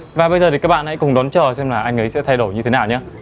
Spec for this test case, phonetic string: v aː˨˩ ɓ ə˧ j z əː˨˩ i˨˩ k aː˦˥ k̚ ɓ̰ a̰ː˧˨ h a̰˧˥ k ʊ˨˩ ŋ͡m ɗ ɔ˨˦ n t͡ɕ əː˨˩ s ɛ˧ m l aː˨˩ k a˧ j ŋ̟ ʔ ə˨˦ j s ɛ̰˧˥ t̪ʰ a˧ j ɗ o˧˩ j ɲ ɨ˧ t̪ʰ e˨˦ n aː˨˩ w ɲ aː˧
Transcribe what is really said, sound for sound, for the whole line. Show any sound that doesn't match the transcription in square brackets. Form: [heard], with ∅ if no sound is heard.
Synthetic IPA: v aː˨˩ ɓ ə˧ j z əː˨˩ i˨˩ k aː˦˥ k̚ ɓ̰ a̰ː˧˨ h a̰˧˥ k ʊ˨˩ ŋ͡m ɗ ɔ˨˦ n t͡ɕ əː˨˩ s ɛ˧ m l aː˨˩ [ʔ] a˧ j ŋ̟ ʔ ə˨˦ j s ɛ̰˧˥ t̪ʰ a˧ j ɗ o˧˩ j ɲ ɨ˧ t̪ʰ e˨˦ n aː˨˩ w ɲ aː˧